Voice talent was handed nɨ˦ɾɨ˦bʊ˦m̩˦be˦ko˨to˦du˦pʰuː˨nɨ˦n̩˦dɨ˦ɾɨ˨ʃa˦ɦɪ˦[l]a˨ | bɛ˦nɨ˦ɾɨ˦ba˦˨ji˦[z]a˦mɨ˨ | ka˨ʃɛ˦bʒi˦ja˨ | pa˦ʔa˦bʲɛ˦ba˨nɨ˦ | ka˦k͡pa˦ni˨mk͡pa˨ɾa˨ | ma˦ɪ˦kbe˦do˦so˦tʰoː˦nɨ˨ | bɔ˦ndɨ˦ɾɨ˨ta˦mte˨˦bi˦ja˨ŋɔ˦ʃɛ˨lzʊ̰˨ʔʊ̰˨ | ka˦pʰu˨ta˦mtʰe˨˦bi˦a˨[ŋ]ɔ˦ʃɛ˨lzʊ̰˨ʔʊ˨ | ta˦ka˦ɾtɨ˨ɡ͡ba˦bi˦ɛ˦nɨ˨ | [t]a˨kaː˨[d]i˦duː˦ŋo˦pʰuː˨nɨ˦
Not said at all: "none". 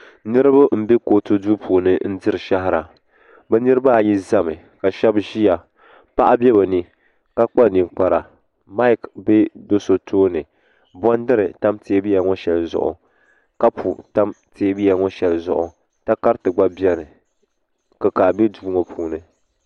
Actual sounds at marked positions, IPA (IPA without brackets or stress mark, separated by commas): ɾ, z, ŋ, k, b